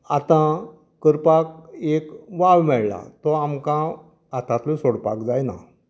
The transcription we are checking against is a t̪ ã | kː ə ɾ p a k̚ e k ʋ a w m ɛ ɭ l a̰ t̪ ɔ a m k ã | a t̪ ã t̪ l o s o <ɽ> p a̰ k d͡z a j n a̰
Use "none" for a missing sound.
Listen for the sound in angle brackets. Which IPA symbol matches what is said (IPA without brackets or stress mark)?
ɽ